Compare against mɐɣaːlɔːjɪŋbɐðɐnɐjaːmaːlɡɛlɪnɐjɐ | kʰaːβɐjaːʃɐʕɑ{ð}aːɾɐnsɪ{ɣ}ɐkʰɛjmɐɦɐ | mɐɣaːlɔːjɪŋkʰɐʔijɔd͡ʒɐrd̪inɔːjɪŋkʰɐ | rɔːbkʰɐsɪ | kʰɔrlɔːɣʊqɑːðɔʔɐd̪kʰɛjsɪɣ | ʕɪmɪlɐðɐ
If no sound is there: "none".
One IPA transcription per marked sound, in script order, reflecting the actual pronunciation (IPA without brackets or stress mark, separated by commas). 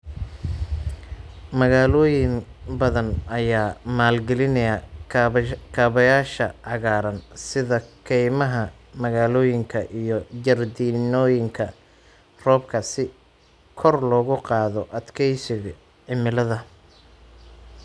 ɣ, ð